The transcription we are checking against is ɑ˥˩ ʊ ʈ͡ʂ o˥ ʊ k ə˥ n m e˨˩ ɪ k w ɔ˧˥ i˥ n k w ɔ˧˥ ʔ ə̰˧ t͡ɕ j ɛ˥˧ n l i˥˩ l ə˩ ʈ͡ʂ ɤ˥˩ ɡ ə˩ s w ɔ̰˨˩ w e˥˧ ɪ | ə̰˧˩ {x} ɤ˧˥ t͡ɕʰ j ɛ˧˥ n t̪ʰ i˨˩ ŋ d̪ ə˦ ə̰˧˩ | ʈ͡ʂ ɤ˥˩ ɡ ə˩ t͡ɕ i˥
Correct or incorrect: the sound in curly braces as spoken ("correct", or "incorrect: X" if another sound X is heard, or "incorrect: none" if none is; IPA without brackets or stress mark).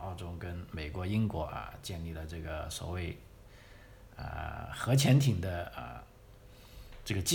correct